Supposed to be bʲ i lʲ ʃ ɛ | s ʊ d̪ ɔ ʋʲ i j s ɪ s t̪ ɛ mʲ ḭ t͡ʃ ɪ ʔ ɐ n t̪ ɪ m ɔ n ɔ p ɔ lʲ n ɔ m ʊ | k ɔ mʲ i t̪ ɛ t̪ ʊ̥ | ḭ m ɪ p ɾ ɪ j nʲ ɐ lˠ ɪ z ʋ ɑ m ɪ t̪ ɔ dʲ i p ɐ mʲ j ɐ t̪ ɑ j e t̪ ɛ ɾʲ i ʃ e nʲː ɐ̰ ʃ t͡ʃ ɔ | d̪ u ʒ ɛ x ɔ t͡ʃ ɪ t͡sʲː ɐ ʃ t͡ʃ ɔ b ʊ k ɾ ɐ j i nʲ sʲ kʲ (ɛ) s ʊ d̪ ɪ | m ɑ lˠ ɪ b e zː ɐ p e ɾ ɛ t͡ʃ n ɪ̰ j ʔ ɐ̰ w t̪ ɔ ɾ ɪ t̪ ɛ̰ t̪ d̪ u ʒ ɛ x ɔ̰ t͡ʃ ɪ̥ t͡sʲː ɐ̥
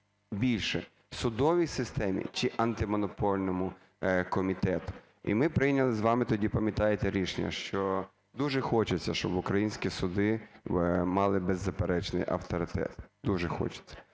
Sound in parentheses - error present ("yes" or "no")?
yes